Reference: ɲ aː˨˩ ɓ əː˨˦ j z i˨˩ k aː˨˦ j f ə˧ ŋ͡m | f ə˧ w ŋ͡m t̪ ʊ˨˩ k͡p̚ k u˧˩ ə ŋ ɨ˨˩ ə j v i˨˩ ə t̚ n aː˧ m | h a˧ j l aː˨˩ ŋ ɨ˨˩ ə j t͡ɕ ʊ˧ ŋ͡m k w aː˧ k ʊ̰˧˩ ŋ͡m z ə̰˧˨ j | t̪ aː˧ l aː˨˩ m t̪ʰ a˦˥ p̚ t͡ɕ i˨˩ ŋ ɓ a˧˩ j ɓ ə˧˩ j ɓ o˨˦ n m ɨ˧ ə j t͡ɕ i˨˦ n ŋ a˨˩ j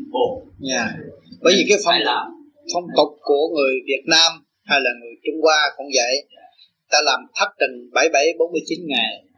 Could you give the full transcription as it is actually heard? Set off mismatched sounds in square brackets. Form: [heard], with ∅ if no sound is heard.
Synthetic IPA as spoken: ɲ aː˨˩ ɓ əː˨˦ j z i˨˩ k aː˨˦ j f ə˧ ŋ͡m | f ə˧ w ŋ͡m t̪ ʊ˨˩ k͡p̚ k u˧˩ ə ŋ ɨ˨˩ ə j v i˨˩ ə t̚ n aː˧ m | h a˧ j l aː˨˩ ŋ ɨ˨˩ ə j t͡ɕ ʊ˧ ŋ͡m k w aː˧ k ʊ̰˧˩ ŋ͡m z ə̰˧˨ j | t̪ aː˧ l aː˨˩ m t̪ʰ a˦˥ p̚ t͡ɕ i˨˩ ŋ ɓ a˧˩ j ɓ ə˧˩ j ɓ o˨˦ n m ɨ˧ ə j t͡ɕ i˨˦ n ŋ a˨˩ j